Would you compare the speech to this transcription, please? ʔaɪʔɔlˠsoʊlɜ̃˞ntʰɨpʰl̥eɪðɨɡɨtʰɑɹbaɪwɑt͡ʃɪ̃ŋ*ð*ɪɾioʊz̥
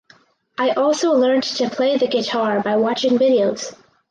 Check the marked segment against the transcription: incorrect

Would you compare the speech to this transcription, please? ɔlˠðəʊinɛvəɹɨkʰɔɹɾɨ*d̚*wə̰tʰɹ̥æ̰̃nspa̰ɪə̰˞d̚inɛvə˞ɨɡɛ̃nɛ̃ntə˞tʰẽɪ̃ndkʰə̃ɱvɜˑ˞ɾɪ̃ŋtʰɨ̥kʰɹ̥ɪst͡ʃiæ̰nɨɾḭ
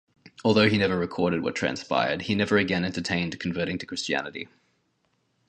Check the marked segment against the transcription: correct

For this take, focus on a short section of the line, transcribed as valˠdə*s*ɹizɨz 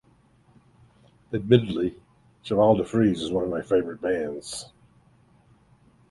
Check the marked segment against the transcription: incorrect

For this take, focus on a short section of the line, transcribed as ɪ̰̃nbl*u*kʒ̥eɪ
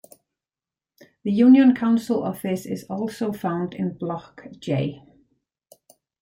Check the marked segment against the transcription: incorrect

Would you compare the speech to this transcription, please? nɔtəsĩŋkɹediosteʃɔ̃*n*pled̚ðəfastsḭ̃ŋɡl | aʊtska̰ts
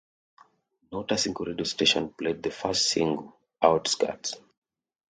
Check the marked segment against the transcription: correct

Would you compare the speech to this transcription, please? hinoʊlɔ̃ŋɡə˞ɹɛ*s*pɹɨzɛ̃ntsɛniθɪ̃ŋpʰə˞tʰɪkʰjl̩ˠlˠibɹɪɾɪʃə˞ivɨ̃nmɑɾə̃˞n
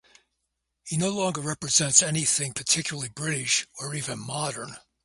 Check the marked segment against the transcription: incorrect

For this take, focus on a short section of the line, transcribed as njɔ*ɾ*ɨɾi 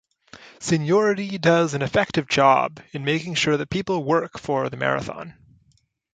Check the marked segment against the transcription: incorrect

